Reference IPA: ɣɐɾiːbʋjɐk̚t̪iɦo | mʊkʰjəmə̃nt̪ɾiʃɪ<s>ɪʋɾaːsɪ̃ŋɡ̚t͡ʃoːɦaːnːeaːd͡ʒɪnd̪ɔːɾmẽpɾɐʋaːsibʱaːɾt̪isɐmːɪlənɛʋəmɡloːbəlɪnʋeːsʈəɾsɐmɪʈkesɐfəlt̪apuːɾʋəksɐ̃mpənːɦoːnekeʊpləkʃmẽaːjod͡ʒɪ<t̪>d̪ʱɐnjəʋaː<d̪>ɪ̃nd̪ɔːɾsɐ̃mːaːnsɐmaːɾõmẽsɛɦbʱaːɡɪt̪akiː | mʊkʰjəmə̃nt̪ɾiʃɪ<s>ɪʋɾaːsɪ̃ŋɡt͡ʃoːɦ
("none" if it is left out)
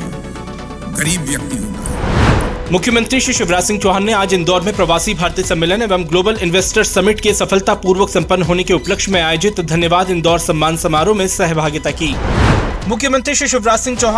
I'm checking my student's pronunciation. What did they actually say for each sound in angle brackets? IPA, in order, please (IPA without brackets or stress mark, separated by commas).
ʃ, t̪, d̪, ʃ